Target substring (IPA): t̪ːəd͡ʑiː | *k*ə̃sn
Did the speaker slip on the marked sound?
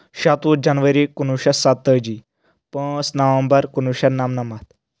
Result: yes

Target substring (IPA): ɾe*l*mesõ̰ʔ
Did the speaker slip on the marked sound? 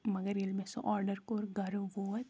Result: no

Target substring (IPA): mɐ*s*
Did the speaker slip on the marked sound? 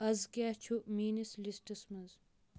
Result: yes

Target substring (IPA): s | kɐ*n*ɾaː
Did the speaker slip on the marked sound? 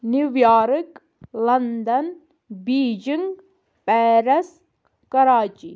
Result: yes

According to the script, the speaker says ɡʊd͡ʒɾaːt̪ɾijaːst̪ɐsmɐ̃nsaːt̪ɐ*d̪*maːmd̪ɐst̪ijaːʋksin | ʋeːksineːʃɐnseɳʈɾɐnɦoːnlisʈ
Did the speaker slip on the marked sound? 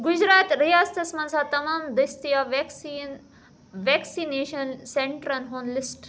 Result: yes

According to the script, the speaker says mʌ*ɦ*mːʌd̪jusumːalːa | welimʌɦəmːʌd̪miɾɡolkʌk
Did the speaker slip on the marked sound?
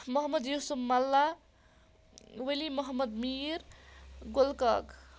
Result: no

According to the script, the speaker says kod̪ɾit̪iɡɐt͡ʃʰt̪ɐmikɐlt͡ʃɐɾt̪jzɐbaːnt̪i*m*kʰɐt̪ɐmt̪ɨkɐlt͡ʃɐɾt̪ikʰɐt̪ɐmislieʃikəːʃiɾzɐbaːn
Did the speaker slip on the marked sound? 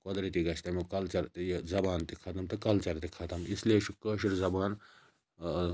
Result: yes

